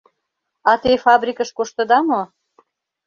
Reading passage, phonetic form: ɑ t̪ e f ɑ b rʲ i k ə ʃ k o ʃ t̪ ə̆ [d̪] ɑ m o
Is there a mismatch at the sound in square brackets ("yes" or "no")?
no